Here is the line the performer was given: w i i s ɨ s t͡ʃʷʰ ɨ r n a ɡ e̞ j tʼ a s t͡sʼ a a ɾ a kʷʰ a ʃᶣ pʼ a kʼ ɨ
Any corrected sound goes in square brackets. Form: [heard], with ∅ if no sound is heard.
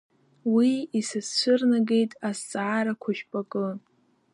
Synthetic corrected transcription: w i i s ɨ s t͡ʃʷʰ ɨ r n a ɡ e̞ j tʼ a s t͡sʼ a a ɾ a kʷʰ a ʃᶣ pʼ a kʼ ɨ